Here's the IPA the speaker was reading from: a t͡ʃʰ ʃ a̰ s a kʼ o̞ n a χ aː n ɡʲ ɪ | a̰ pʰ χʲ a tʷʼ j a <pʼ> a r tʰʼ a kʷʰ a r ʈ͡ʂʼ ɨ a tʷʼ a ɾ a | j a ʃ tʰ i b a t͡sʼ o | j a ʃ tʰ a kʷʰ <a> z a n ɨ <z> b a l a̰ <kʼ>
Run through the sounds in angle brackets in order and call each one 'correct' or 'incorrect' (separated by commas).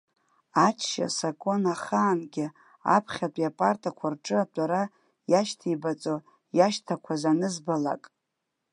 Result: correct, correct, correct, correct